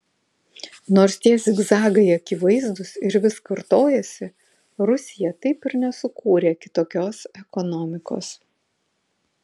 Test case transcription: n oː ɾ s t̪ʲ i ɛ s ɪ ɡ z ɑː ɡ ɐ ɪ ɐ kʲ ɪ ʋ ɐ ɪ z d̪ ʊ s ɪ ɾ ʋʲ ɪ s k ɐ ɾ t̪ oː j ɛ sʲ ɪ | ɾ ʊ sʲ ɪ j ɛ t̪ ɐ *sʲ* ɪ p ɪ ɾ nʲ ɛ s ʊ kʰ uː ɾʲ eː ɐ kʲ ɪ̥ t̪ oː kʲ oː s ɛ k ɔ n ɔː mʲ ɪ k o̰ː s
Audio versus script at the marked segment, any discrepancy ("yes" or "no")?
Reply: yes